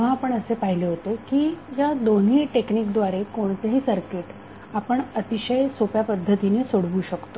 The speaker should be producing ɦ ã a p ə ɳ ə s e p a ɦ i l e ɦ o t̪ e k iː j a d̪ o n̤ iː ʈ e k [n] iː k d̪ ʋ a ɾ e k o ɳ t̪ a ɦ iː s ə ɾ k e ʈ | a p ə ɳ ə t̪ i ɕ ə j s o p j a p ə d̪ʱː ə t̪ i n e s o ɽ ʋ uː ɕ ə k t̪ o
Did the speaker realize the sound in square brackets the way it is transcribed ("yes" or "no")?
yes